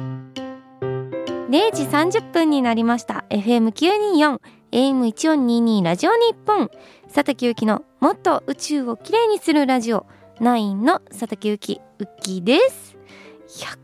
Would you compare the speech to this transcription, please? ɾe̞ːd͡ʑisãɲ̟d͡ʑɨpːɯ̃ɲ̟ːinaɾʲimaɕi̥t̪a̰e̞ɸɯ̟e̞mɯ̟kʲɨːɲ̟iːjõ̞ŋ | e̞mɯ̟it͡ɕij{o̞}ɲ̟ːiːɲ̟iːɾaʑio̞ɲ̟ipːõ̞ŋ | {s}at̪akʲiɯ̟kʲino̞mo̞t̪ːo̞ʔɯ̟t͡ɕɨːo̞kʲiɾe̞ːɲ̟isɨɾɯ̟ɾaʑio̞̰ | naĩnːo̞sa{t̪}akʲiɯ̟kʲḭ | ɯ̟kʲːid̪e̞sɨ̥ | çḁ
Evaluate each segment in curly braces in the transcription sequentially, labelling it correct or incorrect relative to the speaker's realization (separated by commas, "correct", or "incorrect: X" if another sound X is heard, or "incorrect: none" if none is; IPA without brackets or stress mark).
incorrect: õ̞, correct, correct